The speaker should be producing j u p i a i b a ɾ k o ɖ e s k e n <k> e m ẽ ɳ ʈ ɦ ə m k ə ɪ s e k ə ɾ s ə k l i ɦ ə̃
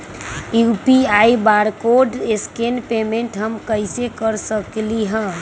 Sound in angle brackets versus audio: incorrect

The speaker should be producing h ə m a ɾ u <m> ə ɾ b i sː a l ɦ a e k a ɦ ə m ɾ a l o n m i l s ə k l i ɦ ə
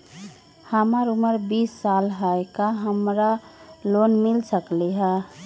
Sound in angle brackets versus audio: correct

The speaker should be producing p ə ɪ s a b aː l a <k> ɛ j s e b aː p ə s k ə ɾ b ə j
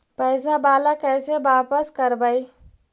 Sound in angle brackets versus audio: correct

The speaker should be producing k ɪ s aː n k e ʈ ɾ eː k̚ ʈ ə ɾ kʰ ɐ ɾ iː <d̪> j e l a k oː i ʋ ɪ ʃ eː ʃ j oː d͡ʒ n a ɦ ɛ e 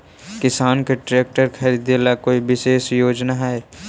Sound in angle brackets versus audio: correct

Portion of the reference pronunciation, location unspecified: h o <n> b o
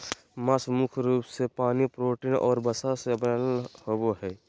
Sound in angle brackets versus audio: incorrect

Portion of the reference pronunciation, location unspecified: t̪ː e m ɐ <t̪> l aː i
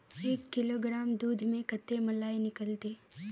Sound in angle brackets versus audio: incorrect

